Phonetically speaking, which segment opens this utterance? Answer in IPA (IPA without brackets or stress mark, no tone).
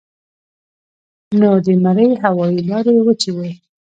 n